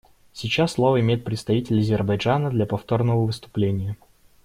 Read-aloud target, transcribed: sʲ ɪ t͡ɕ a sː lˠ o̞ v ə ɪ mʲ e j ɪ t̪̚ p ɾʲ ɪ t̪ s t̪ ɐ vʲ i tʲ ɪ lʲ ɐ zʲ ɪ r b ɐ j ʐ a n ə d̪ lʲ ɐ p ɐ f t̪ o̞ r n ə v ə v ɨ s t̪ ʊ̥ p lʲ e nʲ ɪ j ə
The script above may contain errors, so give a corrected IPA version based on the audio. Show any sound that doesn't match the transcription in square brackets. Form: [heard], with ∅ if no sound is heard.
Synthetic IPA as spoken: sʲ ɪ t͡ɕ a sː lˠ o̞ v ə ɪ mʲ e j ɪ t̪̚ p ɾʲ ɪ t̪ s t̪ ɐ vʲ i tʲ ɪ lʲ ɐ zʲ ɪ r b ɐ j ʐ a n ə d̪ lʲ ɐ p ɐ f t̪ o̞ r n ə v ə v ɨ s t̪ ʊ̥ p lʲ e nʲ ɪ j ə